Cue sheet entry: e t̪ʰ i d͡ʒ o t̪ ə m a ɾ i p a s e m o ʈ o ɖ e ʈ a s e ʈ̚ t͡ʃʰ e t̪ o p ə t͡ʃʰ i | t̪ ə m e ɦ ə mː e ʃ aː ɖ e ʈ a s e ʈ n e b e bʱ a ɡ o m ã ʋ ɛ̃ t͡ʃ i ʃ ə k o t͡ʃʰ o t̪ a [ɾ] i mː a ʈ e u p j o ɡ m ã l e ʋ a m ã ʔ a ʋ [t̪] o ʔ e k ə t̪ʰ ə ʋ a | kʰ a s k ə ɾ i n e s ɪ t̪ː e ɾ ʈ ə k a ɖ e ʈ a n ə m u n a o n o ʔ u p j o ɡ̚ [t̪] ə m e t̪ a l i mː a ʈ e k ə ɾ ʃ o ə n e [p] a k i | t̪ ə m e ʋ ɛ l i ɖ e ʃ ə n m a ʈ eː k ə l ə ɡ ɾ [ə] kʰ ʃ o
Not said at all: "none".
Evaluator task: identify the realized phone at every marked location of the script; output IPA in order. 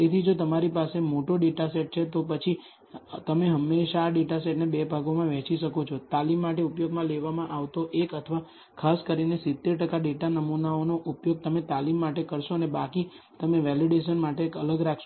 l, t̪, t̪, b, a

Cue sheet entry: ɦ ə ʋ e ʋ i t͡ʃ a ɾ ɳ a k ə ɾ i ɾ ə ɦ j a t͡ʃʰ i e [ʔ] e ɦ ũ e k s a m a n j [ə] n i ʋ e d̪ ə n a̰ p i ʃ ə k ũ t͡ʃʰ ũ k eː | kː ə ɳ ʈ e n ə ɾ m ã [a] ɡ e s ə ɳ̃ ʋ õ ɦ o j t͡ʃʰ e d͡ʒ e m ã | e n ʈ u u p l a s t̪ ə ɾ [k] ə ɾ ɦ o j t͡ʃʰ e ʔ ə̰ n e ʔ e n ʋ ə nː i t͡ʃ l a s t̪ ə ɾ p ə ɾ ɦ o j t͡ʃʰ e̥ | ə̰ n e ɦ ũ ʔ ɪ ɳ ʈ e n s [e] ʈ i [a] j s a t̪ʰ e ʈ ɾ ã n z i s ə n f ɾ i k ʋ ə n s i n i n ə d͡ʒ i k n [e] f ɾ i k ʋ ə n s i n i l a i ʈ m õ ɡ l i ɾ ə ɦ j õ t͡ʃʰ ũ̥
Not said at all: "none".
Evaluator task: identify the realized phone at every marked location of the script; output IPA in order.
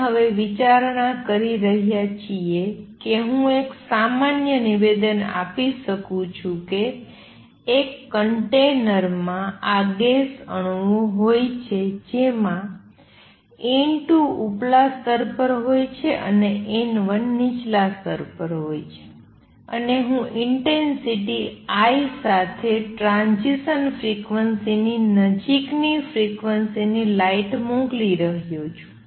k, ə, a, p, i, a, i

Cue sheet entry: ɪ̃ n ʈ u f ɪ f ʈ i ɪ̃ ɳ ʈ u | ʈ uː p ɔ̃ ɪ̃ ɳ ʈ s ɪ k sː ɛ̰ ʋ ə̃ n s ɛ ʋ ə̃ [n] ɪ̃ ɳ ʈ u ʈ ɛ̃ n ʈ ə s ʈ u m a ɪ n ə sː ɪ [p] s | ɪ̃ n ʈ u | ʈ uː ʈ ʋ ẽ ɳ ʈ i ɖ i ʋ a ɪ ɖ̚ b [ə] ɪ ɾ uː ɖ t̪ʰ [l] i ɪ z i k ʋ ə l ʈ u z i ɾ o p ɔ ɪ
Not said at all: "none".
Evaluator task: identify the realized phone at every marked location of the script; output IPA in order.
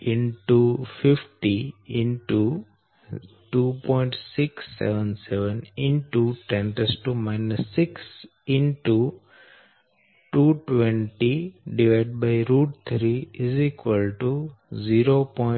n, k, a, ɾ

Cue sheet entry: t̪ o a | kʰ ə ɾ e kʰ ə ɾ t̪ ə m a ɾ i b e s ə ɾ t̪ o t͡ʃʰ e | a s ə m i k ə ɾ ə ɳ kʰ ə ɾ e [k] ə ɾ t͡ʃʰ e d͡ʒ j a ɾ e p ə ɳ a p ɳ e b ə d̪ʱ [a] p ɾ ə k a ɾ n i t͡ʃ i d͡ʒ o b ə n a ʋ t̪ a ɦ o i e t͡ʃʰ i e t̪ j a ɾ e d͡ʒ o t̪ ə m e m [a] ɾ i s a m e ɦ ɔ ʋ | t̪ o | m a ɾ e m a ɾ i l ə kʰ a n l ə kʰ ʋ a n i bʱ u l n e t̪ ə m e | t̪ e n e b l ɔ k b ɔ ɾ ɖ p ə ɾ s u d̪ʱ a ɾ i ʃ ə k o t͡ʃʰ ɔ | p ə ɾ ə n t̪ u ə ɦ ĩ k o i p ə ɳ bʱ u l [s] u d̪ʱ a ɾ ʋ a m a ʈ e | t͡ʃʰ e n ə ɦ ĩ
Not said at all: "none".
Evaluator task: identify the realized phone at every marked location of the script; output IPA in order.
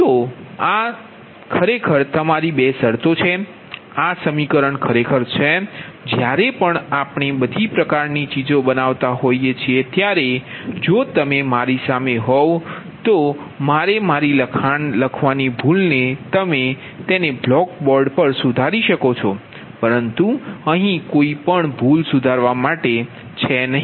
kʰ, i, a, s

